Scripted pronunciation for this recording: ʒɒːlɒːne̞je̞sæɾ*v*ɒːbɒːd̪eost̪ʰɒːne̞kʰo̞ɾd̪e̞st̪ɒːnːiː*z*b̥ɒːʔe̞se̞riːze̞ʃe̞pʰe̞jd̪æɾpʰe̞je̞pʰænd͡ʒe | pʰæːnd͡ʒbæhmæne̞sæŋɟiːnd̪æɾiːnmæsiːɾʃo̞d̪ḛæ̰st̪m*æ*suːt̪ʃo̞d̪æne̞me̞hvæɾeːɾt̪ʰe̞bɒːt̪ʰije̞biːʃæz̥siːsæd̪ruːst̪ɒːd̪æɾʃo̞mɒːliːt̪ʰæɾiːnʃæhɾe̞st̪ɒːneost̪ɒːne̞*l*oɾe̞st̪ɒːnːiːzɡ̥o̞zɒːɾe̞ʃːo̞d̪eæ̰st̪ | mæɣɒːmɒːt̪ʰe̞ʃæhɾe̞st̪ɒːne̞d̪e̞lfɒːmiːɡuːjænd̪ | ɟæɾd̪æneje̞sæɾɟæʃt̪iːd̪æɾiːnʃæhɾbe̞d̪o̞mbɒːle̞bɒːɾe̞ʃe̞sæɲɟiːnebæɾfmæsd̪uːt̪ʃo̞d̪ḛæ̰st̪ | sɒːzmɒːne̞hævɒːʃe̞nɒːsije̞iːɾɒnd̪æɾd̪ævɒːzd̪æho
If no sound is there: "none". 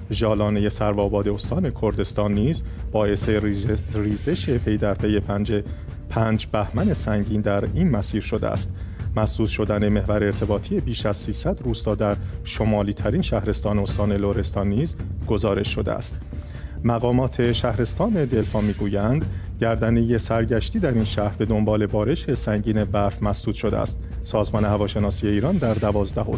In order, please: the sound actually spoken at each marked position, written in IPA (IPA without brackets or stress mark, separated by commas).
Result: v, z, æ, l